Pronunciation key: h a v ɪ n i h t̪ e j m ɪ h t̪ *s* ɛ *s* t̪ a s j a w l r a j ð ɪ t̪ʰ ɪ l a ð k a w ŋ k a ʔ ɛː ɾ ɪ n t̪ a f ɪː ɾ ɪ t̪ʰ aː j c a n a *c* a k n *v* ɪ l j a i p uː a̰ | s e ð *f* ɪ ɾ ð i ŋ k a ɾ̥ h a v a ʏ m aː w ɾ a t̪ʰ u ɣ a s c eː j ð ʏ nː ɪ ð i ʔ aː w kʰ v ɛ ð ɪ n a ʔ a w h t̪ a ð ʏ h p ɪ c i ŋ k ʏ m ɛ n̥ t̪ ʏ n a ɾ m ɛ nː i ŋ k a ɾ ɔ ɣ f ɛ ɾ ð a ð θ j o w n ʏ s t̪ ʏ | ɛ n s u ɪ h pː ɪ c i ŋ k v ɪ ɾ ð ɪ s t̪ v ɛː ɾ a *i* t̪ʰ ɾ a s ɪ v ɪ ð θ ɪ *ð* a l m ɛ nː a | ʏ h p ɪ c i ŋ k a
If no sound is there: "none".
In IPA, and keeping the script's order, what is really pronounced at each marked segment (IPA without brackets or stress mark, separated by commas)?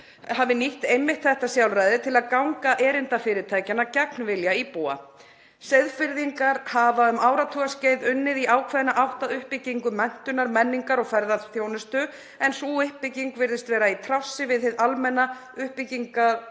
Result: θ, h, c, v, f, i, ð